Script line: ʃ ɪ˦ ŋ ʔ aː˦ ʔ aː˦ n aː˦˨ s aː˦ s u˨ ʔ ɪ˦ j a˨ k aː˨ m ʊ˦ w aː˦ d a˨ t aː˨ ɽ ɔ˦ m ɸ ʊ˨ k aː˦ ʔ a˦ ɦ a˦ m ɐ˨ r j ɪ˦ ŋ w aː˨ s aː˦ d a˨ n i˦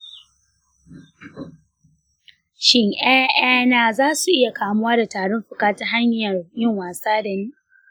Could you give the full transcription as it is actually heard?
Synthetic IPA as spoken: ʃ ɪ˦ ŋ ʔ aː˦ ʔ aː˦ n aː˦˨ z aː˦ s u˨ ʔ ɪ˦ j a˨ k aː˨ m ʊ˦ w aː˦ d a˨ t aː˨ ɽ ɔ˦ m ɸ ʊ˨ k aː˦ t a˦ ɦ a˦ ɲ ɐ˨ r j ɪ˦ ŋ w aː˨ s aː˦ d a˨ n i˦

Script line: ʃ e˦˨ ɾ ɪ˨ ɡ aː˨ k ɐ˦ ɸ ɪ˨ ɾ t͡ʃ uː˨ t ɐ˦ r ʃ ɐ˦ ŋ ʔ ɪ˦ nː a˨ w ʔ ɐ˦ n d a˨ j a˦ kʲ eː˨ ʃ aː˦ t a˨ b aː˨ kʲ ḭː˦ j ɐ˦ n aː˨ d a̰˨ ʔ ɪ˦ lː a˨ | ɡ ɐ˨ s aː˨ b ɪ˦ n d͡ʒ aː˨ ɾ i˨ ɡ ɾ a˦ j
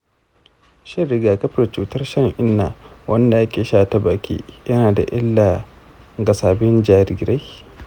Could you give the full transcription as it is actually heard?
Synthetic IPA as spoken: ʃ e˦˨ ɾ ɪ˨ ɡ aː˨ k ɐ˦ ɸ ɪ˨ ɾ t͡ʃ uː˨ t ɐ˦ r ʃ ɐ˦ ŋ ʔ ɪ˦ nː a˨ w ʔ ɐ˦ n d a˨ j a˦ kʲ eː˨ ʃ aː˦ t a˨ b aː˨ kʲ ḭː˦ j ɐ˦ n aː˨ d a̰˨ ʔ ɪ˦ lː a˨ | ɡ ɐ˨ s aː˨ b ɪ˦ n d͡ʒ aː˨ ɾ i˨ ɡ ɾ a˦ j

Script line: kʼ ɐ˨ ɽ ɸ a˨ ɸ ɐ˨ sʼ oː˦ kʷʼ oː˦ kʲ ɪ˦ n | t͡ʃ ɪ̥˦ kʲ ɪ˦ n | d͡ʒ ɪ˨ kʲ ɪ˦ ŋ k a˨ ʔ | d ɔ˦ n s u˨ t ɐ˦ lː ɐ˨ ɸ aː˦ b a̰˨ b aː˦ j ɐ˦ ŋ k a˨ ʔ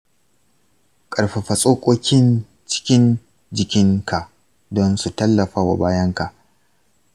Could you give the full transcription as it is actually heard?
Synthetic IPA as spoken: kʼ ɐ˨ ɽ ɸ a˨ ɸ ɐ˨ sʼ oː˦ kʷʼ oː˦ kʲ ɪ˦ n | t͡ʃ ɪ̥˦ kʲ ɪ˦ n | d͡ʒ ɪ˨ kʲ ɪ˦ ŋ k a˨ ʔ | d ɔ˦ n s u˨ t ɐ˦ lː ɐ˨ ɸ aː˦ w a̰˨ b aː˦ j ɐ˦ ŋ k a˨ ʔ

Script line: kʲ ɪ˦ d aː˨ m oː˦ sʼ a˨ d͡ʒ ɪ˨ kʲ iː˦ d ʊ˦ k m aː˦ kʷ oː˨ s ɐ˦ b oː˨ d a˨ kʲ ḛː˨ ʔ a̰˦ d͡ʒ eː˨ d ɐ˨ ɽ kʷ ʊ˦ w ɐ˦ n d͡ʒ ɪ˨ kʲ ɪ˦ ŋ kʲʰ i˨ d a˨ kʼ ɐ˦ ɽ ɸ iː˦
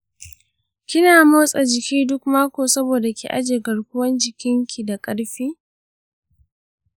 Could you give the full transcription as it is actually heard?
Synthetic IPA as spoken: kʲ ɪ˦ n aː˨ m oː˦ sʼ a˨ d͡ʒ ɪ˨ kʲ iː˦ d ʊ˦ k m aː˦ kʷ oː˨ s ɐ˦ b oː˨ d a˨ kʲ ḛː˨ ʔ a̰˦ d͡ʒ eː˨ ɡ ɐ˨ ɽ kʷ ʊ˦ w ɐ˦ n d͡ʒ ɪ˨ kʲ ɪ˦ ŋ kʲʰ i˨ d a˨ kʼ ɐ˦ ɽ ɸ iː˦

